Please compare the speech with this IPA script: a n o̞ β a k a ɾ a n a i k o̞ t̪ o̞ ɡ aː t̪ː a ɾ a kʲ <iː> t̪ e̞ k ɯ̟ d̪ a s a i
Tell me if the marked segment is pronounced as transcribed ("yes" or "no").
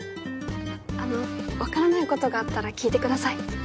yes